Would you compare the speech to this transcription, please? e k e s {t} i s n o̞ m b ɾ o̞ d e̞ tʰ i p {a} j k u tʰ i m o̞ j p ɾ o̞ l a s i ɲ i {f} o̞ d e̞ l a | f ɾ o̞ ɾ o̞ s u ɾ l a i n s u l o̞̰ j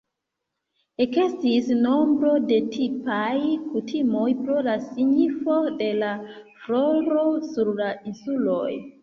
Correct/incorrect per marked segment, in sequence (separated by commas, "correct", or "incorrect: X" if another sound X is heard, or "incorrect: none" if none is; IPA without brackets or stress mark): correct, correct, correct